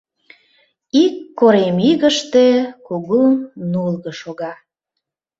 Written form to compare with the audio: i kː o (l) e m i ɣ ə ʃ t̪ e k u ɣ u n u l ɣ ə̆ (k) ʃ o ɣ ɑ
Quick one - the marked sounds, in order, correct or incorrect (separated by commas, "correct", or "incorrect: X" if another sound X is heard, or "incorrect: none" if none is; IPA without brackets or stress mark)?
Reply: incorrect: ɾ, incorrect: none